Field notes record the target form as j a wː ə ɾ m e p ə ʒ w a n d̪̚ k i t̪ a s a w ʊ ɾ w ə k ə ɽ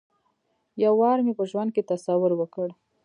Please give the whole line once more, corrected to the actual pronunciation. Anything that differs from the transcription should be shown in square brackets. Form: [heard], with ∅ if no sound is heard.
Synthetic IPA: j a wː [ɑ] ɾ m e p ə ʒ w a n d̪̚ k [e] t̪ a s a w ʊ ɾ w ə k ə ɽ